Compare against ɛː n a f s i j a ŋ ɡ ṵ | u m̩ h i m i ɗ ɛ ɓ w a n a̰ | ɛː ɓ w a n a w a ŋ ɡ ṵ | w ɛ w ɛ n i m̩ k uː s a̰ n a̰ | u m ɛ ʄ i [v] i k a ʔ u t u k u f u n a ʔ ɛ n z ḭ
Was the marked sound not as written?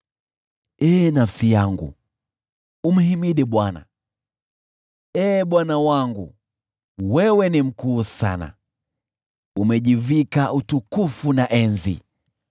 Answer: no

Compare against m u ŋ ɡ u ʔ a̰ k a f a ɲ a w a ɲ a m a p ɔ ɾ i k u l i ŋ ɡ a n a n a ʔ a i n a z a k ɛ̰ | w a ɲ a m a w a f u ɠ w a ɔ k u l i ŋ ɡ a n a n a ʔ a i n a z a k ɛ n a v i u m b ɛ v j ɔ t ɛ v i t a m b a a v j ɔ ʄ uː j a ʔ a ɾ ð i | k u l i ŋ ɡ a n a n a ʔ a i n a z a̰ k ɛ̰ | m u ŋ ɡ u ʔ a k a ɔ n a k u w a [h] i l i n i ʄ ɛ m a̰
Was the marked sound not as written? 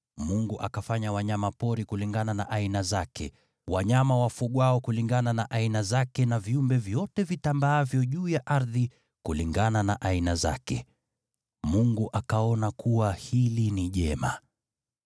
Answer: no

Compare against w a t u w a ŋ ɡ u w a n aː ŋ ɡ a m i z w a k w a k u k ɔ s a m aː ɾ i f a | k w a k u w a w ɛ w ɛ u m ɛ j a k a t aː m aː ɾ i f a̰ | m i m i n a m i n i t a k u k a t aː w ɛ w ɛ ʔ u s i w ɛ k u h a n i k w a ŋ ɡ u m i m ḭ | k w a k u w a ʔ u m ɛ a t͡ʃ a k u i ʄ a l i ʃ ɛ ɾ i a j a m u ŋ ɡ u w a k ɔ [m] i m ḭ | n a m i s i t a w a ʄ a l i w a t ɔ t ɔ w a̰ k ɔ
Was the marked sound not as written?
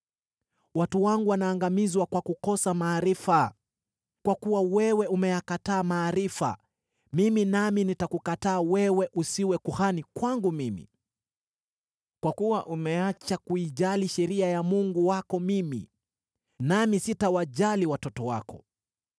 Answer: no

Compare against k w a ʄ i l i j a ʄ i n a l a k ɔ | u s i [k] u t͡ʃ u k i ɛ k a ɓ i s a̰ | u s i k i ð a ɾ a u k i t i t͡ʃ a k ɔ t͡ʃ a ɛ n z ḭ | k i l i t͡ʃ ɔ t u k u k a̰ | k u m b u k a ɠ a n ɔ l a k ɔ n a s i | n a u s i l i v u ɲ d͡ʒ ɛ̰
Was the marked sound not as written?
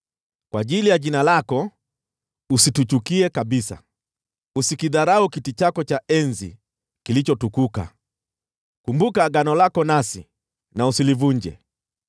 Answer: yes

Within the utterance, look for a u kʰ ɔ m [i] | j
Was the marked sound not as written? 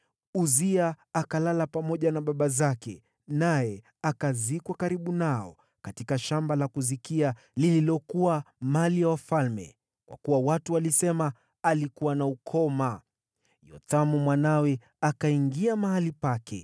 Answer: yes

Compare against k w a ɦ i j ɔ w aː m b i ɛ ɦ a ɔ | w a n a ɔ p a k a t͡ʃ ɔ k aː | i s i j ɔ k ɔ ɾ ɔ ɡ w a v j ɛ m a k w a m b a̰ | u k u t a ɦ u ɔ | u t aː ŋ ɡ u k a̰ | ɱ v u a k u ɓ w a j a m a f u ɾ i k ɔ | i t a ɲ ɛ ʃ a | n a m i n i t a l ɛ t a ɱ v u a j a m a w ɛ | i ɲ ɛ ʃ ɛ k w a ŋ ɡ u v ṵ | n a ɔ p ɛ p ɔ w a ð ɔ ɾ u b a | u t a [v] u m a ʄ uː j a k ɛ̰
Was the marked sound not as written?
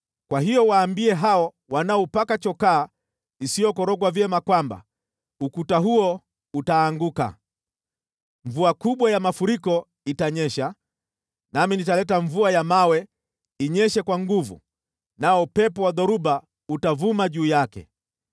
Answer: no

